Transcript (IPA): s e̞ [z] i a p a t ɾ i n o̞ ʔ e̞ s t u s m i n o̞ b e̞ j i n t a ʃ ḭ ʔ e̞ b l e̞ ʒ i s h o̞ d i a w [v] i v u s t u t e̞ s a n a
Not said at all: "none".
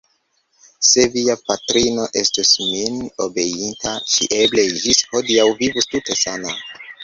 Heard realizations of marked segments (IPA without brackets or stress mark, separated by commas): v, v